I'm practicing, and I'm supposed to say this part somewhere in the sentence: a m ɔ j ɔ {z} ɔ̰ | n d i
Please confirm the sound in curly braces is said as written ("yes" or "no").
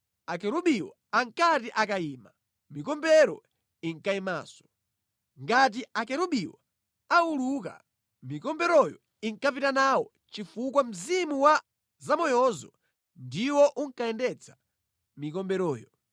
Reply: yes